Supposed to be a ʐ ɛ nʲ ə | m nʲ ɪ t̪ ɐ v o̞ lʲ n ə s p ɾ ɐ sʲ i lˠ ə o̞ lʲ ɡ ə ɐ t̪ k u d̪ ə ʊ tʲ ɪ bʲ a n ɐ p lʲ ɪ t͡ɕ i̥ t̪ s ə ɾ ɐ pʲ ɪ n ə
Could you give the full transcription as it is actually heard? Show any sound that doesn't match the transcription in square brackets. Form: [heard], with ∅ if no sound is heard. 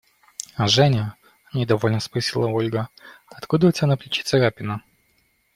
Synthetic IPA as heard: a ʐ ɛ nʲ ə | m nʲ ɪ [d̪] ɐ v o̞ lʲ n ə s p ɾ ɐ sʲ i lˠ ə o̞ lʲ ɡ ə ɐ t̪ k u d̪ ə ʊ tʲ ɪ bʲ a n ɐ p lʲ ɪ t͡ɕ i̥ t̪ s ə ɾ [a] pʲ ɪ n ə